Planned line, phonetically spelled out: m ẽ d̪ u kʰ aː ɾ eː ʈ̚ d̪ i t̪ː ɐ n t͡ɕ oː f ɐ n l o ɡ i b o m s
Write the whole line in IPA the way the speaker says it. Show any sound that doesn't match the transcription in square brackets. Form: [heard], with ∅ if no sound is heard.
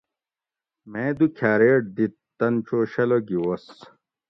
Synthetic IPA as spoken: m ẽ d̪ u kʰ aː ɾ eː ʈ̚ d̪ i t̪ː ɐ n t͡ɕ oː [ɕ] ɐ [∅] l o ɡ i [w] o [∅] s